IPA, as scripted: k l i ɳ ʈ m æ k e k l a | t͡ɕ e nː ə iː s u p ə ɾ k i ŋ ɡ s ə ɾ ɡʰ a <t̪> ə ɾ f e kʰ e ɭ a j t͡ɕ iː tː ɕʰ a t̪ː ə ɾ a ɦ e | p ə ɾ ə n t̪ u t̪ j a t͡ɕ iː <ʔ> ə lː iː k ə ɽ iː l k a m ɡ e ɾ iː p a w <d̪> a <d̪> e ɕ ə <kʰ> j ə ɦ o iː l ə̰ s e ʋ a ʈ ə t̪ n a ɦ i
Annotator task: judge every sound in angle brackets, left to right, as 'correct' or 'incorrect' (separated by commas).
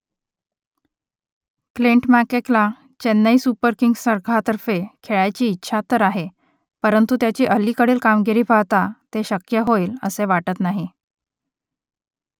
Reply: correct, correct, incorrect, incorrect, incorrect